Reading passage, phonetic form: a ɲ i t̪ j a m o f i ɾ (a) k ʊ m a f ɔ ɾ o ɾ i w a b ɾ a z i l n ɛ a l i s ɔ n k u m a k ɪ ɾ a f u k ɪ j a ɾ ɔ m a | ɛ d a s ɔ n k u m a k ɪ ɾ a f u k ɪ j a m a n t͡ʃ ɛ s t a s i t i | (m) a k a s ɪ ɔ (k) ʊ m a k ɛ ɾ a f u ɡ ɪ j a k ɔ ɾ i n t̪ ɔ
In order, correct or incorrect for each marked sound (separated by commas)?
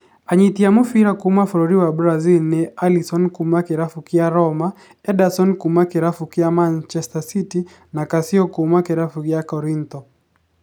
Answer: correct, incorrect, correct